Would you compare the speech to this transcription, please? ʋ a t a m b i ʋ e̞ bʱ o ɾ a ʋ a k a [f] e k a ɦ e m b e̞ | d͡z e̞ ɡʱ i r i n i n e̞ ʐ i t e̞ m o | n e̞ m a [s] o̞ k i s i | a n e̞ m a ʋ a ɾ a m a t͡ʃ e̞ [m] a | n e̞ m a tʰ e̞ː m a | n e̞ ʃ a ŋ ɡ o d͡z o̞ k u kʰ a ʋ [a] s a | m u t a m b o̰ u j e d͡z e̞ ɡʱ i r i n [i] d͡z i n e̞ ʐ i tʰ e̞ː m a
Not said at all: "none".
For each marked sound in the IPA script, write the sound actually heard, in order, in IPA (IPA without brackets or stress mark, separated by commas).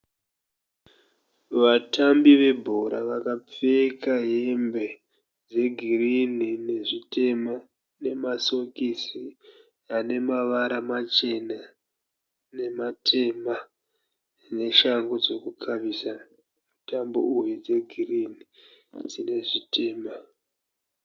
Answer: p͡f, s, n, i, i